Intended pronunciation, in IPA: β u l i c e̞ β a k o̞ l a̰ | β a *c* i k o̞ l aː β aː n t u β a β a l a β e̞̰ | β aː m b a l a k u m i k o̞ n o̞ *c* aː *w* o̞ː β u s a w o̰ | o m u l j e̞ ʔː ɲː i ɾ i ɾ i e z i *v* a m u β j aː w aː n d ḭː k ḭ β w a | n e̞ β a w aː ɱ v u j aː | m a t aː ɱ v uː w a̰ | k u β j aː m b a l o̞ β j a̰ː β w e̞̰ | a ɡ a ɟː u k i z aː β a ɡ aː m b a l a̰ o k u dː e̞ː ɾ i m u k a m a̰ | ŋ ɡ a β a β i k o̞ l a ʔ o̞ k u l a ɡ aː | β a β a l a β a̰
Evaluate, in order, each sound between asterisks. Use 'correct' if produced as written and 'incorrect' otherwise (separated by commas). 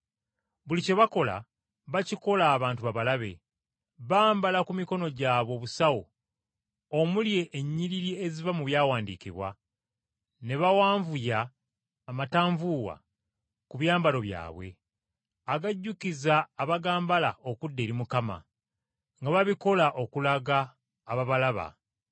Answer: correct, incorrect, incorrect, correct